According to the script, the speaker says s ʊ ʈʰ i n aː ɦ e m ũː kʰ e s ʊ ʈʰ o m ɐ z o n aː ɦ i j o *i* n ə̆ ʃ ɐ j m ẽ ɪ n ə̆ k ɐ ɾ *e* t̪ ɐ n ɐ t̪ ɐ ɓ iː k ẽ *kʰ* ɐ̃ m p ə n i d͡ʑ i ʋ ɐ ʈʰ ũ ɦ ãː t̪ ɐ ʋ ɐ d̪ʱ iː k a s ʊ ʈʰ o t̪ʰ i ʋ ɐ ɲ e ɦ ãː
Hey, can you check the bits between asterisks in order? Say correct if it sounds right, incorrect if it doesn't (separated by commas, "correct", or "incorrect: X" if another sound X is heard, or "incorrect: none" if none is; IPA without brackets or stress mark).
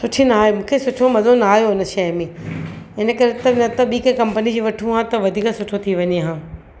incorrect: ɪ, correct, incorrect: k